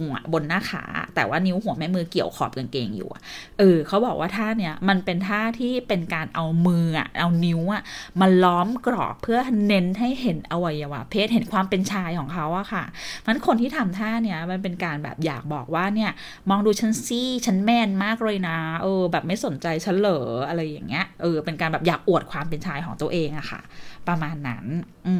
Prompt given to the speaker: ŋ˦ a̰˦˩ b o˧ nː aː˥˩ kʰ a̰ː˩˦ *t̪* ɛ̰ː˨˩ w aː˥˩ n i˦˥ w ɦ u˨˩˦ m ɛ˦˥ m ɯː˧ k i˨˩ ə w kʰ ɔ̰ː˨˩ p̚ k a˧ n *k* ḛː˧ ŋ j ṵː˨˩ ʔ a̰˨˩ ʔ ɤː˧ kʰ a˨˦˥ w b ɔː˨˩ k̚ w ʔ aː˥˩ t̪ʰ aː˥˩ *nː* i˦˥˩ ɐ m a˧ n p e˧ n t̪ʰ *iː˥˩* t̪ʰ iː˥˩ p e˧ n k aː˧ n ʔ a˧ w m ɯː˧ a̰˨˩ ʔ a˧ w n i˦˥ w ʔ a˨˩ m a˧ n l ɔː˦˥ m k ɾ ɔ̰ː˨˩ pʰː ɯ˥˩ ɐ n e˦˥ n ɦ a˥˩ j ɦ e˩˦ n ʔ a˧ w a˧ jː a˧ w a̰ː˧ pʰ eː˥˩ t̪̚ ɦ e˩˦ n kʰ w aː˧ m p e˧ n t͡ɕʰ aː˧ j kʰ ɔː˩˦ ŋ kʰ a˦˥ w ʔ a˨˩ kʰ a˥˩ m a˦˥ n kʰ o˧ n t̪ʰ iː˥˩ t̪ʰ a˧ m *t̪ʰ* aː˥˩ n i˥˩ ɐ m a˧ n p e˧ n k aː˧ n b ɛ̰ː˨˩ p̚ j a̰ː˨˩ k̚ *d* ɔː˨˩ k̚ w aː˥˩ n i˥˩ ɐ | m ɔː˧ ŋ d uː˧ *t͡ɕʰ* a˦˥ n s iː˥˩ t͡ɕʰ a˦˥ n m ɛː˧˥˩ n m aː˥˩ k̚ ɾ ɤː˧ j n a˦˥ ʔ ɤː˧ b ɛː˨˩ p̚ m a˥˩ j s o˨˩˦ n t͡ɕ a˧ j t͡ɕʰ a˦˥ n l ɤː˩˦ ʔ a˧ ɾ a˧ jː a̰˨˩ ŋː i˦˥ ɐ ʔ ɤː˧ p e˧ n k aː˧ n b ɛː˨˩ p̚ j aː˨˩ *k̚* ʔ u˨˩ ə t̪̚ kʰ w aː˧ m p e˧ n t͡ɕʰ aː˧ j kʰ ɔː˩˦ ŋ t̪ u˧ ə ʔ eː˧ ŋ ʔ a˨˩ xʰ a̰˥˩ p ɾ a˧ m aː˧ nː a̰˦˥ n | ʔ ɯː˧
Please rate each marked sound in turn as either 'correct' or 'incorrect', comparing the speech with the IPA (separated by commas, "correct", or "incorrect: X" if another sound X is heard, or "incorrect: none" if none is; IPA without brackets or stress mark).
correct, correct, incorrect: n, incorrect: aː˥˩, correct, incorrect: b, correct, correct